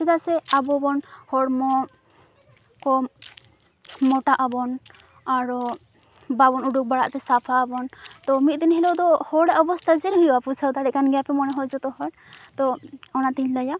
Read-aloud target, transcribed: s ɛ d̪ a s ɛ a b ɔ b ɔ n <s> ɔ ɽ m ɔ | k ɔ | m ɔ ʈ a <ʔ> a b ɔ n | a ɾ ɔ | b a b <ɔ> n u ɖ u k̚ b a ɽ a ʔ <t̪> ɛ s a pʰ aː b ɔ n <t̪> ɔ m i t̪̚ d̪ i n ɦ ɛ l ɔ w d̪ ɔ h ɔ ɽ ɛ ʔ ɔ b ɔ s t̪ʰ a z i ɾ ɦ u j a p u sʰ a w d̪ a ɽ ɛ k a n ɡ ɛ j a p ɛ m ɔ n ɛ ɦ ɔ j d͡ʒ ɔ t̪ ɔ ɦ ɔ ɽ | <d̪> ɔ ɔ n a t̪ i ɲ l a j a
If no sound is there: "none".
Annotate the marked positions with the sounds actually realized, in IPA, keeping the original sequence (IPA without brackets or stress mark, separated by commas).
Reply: h, ʔ, ɔ, t̪, t̪, t̪